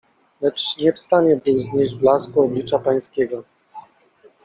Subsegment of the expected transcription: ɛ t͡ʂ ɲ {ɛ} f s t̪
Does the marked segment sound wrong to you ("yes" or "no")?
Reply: no